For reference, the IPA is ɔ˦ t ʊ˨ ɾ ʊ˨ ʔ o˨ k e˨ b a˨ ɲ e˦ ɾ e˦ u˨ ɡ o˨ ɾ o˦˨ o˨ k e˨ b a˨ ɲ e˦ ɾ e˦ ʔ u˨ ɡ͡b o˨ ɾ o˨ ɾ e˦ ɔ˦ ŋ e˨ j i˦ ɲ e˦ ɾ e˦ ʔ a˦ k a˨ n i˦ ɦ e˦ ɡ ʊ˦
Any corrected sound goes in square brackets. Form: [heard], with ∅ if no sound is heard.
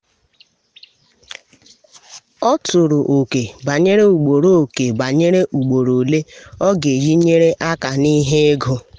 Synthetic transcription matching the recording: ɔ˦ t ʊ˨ ɾ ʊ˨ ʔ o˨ k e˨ b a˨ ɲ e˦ ɾ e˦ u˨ [ɡ͡b] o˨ ɾ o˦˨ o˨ k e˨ b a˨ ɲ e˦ ɾ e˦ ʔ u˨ ɡ͡b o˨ ɾ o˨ [l] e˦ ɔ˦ [ɡ] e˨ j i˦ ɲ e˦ ɾ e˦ ʔ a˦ k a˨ n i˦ ɦ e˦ ɡ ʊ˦